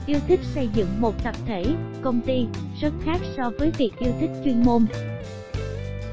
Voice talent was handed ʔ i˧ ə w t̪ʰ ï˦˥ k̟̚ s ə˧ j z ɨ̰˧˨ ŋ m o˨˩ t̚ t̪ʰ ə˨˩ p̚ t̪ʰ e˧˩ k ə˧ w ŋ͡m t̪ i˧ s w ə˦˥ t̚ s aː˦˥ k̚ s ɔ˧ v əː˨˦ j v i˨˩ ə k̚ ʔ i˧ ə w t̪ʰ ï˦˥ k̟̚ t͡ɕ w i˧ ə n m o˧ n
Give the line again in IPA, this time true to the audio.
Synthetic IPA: ʔ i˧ ə w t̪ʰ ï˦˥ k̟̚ s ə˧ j z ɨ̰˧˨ ŋ m o˨˩ t̚ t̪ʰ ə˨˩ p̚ t̪ʰ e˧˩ k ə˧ w ŋ͡m t̪ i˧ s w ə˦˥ t̚ x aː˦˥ k̚ s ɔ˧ v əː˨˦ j v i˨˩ ə k̚ ʔ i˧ ə w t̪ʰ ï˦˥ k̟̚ t͡ɕ w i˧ ə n m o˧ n